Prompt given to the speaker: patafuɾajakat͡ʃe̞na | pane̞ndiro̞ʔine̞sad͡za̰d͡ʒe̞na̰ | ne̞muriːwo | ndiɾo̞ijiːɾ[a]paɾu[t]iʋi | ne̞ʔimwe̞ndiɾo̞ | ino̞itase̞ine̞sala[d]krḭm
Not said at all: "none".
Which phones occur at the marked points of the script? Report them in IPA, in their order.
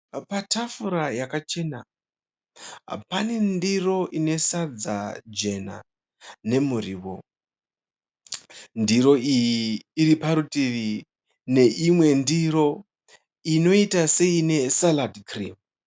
i, t, d

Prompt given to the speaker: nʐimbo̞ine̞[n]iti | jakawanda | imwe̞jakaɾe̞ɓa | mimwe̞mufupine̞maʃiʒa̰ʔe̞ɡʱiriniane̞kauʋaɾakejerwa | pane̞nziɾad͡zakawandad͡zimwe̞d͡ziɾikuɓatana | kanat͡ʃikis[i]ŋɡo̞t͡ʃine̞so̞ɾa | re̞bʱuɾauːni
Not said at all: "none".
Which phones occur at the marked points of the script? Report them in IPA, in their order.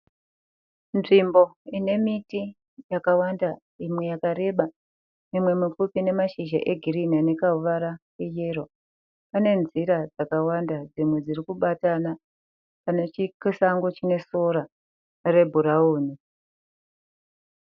m, a

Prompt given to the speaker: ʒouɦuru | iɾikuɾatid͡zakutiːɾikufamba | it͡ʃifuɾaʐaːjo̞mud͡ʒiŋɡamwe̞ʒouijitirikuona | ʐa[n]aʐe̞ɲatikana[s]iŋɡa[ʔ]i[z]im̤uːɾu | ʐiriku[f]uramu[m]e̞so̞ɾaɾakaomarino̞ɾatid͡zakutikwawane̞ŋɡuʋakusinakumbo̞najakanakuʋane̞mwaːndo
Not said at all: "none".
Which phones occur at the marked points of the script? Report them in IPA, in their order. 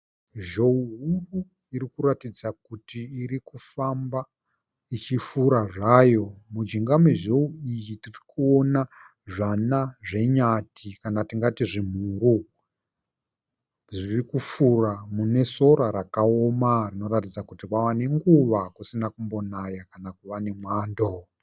n, t, t, ʐ, f, n

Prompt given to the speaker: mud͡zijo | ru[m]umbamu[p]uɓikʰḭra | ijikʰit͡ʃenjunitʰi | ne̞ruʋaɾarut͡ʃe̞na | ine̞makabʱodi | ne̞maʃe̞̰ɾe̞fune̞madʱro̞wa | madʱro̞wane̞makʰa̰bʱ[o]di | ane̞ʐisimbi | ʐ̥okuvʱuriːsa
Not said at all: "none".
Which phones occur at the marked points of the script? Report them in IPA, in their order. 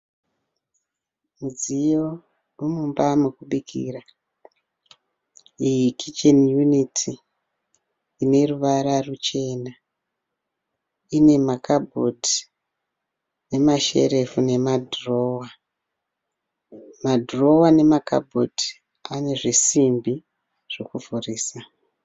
m, k, o

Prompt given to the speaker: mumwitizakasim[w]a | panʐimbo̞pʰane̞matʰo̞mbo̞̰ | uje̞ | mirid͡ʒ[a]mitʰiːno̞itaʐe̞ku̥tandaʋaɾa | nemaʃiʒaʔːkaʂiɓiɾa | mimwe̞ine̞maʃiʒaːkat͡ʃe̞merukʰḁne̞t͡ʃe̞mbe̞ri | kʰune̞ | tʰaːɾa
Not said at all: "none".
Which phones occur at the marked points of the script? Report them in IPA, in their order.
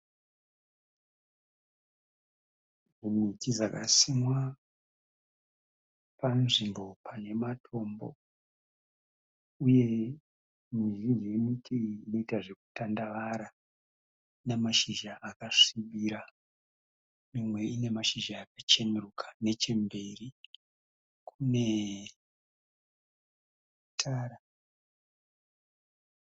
w, e

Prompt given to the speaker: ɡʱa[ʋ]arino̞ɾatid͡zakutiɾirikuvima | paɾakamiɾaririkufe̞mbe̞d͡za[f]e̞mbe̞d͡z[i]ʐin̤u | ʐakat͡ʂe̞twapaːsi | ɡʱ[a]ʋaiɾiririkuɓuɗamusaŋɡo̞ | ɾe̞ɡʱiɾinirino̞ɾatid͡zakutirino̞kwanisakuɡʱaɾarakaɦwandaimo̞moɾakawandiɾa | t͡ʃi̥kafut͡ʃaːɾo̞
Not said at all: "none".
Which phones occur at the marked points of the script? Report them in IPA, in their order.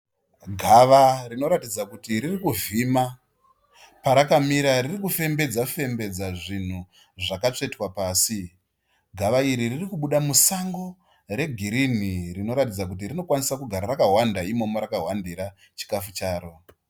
ʋ, f, a, a

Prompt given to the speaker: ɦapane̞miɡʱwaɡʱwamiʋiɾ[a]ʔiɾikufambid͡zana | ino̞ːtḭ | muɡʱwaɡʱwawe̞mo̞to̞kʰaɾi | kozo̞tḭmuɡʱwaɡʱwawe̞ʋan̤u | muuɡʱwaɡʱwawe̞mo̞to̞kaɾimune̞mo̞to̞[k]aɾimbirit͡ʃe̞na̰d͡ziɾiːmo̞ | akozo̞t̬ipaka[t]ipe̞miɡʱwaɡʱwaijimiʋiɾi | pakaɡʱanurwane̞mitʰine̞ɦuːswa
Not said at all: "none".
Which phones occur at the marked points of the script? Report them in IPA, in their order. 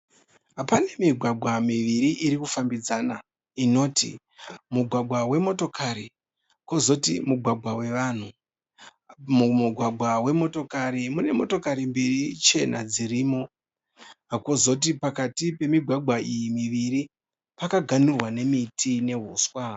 i, k, t

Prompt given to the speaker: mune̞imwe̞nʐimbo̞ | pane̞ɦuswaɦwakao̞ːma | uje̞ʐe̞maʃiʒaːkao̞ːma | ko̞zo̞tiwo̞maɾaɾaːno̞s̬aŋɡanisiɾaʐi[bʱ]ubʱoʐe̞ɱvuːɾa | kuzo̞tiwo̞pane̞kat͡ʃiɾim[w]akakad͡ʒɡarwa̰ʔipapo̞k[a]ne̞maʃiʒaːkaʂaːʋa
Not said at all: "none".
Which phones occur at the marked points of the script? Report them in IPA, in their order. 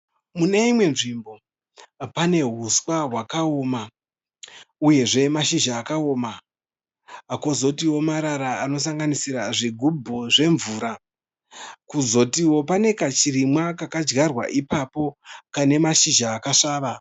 ɡʱ, w, a

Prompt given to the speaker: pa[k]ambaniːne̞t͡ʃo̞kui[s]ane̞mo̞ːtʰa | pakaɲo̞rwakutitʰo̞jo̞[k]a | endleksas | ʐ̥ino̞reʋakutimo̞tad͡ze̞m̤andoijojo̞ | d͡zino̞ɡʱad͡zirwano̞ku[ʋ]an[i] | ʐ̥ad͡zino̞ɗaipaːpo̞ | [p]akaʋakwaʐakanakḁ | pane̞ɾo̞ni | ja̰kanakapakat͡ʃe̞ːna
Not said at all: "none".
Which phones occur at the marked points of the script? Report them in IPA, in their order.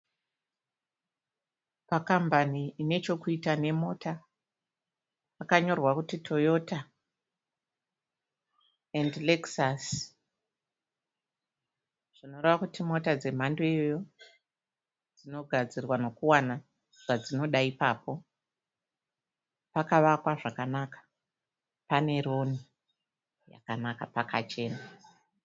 k, t, t, w, a, p

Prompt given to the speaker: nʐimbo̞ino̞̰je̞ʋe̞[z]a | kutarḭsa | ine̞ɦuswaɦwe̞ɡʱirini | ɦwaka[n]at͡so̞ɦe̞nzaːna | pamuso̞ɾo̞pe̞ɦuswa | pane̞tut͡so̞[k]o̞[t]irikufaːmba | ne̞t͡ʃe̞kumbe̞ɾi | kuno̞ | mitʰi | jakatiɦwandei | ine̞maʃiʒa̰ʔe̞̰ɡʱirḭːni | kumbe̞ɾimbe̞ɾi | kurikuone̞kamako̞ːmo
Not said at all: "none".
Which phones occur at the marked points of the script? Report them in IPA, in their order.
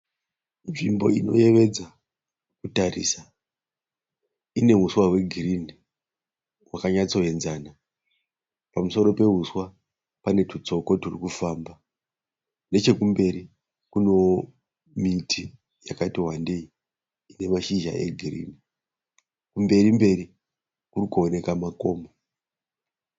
d͡z, ɲ, k, t

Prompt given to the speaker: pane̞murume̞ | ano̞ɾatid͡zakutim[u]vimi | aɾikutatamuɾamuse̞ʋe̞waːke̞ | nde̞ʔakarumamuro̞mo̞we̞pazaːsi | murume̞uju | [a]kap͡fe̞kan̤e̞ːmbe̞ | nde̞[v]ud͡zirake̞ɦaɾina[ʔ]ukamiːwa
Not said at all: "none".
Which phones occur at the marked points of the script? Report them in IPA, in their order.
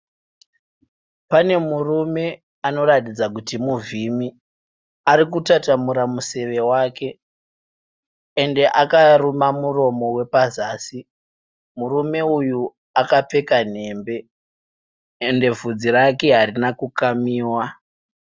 u, a, v, k

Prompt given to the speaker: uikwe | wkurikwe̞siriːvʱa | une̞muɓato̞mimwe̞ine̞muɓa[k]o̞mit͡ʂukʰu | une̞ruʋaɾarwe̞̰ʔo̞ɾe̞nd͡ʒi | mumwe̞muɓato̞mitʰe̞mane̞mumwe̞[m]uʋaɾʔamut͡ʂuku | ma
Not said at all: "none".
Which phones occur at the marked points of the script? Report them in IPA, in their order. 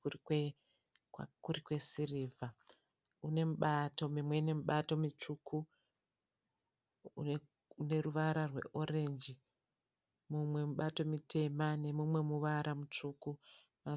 t, m

